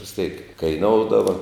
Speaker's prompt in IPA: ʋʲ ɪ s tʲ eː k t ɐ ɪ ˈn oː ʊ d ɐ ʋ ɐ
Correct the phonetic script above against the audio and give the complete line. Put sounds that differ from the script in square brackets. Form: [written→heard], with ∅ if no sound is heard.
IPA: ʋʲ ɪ s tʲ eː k [t→k] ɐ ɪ ˈn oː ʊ d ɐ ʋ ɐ